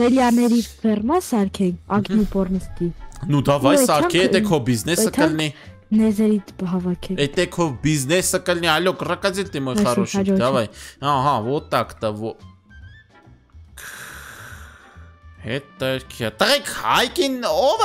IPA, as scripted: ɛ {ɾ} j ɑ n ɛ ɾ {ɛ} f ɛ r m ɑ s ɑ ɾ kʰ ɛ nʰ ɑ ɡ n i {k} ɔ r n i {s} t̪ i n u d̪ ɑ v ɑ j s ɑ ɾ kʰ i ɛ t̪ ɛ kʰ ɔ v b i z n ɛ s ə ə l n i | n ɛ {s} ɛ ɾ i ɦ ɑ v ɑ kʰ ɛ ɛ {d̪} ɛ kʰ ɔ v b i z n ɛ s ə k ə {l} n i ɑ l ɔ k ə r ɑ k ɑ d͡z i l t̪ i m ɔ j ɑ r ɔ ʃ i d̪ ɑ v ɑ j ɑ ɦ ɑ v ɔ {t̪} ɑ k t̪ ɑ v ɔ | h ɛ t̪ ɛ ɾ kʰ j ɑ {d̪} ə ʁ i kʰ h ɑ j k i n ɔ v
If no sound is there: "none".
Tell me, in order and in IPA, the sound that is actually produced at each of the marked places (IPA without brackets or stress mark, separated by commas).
l, i, p, s, z, t̪, l, t̪, t̪